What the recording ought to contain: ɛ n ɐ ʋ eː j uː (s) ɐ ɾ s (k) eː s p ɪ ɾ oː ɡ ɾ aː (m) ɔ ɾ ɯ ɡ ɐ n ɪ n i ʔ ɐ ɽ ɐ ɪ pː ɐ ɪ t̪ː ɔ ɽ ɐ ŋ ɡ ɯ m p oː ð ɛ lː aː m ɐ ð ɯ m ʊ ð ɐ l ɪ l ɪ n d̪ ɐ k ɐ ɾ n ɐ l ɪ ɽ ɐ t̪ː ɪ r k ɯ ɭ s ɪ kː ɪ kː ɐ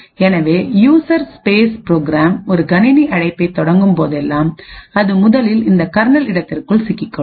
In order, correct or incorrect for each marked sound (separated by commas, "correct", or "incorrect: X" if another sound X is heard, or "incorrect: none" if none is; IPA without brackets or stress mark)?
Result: correct, incorrect: p, correct